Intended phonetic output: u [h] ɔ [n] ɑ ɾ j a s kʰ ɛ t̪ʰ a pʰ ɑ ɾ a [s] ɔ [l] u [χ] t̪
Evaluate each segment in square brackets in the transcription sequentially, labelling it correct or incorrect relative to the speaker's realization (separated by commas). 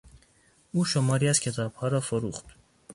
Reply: incorrect, incorrect, incorrect, incorrect, correct